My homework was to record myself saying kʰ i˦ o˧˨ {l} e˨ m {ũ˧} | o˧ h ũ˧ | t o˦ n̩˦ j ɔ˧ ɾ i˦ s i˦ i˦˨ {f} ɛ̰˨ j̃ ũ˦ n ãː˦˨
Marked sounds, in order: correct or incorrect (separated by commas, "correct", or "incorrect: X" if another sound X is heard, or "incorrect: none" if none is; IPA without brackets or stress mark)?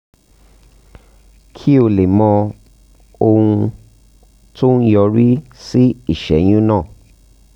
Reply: correct, incorrect: ɔ̃˧, incorrect: ʃ